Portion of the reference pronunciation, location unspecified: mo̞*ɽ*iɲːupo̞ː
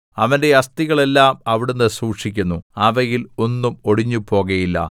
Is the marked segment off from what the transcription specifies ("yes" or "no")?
no